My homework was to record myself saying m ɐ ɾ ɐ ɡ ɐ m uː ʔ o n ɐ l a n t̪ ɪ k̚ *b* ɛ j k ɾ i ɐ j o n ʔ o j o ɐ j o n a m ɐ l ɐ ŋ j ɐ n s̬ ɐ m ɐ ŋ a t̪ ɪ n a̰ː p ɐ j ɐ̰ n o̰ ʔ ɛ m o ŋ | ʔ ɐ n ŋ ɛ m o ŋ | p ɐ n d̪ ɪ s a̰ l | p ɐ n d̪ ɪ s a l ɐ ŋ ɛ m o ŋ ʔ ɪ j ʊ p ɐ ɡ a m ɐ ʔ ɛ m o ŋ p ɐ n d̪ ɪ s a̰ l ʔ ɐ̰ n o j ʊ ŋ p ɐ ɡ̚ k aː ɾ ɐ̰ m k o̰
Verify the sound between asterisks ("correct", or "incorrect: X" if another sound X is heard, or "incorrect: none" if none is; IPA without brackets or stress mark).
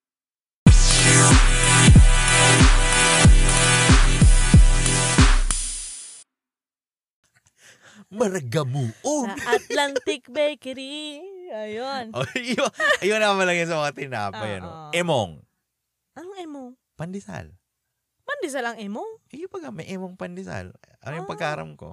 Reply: correct